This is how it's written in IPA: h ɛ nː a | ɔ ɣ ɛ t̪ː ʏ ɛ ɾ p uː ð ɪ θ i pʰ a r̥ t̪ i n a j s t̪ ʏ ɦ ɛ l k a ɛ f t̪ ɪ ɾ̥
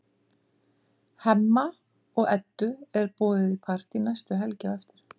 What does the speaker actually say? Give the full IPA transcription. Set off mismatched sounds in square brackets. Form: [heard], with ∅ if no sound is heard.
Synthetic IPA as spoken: h ɛ [mː] a | ɔ ɣ ɛ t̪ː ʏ ɛ ɾ p [ɔː] ð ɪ [ð] i pʰ a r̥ t̪ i n a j s t̪ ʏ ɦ ɛ l [c] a ɛ f t̪ ɪ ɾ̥